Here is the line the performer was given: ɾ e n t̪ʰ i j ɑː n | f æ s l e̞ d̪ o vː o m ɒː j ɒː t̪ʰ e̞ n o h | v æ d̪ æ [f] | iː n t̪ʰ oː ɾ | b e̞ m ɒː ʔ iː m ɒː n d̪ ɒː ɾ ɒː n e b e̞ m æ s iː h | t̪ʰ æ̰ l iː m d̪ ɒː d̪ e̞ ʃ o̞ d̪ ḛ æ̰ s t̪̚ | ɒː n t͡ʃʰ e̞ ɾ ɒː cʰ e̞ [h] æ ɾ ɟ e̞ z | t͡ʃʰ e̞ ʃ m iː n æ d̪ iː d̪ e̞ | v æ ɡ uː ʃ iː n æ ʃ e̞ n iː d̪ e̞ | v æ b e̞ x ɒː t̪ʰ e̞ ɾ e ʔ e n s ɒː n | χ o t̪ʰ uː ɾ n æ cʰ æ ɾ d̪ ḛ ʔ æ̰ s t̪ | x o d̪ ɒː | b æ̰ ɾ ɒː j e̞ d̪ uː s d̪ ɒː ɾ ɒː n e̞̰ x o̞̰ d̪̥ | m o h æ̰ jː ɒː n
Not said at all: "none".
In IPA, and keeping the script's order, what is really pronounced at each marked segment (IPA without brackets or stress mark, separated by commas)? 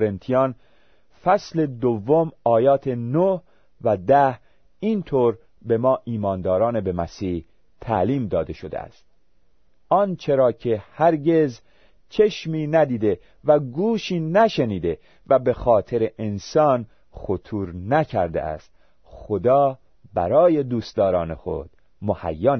h, h